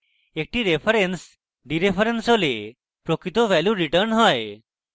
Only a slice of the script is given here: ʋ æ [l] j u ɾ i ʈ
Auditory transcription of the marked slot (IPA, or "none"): l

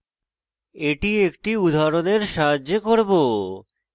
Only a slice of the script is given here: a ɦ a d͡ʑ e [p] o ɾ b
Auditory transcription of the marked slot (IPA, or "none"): k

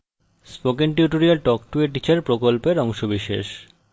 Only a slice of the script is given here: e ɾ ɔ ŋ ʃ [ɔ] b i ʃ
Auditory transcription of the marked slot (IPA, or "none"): o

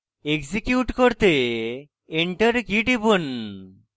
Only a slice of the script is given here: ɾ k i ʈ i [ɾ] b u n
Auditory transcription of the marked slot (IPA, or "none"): none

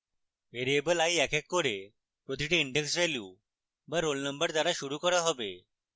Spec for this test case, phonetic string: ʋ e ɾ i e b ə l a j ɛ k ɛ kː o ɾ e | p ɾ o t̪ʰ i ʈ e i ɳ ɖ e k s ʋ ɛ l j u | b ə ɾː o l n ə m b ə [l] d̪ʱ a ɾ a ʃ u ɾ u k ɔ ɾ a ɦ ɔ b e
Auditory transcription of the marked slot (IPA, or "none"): ɾ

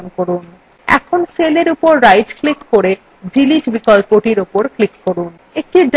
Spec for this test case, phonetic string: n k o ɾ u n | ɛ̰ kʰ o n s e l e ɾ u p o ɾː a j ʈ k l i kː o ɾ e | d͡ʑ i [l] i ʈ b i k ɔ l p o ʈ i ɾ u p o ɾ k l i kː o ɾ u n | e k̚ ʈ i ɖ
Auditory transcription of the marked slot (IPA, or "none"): l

